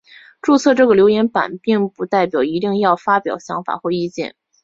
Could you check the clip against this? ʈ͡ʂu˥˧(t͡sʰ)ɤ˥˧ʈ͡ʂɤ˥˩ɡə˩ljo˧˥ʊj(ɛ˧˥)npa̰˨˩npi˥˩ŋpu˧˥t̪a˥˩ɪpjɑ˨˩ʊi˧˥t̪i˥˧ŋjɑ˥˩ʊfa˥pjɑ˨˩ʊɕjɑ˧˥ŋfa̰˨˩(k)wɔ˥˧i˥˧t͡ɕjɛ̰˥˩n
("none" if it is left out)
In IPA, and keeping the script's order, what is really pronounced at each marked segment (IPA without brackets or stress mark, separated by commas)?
t͡sʰ, ɛ˧˥, x